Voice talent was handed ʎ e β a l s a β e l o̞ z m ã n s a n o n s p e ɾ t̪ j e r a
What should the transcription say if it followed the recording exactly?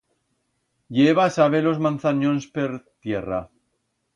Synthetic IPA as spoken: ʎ e β a s a β e l o̞ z m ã n θ a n o n s p e ɾ t̪ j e r a